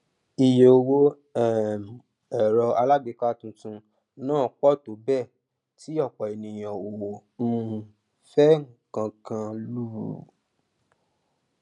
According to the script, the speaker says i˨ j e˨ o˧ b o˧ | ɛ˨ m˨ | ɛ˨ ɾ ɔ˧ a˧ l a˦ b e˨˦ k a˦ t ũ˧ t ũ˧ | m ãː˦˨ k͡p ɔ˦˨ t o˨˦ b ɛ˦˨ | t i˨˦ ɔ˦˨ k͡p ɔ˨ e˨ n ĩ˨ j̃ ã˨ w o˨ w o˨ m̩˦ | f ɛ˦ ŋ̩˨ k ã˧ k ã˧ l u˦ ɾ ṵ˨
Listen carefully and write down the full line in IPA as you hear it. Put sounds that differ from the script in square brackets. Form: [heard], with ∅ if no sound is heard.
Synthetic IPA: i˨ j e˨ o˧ [w] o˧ | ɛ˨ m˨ | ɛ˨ ɾ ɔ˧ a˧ l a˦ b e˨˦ k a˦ t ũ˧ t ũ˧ | [n] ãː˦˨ k͡p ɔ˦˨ t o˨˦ b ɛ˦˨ | t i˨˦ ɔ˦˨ k͡p ɔ˨ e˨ n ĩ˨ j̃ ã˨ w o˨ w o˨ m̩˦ | f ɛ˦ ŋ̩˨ k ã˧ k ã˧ l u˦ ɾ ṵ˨